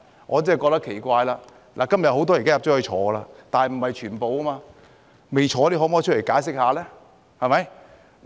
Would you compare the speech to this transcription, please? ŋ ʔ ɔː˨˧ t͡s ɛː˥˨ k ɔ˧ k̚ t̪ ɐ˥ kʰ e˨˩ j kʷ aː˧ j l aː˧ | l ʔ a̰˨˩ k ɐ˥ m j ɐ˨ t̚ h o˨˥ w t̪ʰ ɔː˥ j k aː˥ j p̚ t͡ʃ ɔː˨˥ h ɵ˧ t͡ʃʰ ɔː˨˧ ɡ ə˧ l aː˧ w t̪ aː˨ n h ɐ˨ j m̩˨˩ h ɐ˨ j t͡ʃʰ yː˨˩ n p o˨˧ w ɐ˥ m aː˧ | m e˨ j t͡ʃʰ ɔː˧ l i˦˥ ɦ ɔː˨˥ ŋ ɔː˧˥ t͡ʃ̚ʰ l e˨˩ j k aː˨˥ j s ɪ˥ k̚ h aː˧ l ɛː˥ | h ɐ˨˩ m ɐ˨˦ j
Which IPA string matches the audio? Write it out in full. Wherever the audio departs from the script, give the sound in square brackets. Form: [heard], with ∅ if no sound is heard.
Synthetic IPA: ŋ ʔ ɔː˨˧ t͡s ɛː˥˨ k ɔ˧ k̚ t̪ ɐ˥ kʰ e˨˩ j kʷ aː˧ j l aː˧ | l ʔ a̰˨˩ k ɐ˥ m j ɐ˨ t̚ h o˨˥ w [t̪] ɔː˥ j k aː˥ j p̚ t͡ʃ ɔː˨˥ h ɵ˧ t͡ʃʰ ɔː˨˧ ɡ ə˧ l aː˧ [∅] t̪ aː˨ n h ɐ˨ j m̩˨˩ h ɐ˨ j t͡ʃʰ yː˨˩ n p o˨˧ w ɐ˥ m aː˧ | m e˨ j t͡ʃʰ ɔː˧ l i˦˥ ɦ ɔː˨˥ [m] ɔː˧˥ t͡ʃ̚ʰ l e˨˩ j k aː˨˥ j s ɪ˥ k̚ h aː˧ l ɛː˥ | h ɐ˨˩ m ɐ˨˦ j